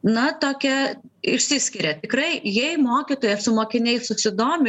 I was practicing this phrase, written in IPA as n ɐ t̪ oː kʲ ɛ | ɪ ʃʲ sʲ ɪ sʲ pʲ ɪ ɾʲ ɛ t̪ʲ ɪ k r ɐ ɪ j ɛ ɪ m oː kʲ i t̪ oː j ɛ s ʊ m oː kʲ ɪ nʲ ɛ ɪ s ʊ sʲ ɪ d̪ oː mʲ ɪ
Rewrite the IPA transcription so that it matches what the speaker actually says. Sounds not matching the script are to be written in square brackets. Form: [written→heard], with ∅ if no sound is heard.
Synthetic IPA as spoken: n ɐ t̪ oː kʲ ɛ | ɪ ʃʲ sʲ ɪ sʲ [pʲ→kʲ] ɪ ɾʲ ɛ t̪ʲ ɪ k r ɐ ɪ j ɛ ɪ m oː kʲ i t̪ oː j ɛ s ʊ m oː kʲ ɪ nʲ ɛ ɪ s ʊ sʲ ɪ d̪ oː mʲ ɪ